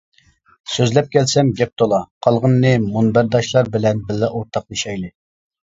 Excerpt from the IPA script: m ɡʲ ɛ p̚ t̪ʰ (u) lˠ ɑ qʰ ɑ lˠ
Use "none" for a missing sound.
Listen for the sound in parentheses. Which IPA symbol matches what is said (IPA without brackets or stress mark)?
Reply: o